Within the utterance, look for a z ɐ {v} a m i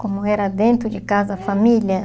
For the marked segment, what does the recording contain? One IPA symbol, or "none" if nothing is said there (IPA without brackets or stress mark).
f